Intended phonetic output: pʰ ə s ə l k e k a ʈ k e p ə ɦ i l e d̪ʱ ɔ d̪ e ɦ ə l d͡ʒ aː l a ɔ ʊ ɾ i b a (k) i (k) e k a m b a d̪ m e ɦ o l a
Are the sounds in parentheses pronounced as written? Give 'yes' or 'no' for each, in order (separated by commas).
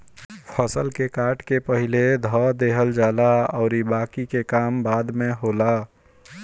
yes, yes